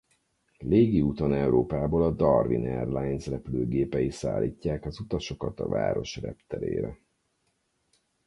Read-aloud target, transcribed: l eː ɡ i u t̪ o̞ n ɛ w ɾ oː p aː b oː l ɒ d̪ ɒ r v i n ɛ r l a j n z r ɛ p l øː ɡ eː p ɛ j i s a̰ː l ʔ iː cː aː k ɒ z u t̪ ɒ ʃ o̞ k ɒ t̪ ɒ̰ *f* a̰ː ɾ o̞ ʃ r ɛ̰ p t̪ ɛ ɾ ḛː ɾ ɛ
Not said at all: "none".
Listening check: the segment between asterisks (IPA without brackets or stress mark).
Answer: v